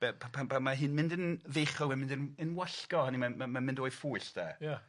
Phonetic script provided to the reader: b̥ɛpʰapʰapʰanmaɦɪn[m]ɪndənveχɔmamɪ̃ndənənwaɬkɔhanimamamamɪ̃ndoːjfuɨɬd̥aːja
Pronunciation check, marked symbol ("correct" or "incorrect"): correct